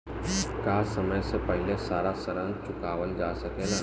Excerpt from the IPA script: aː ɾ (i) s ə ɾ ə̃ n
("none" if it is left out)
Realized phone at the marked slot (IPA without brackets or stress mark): a